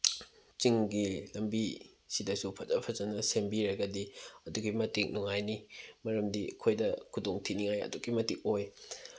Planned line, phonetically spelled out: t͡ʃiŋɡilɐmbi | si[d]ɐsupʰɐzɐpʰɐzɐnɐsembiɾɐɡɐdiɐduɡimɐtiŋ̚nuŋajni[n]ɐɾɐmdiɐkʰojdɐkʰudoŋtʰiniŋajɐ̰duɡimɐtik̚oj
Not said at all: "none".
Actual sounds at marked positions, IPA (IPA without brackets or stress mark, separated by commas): d, m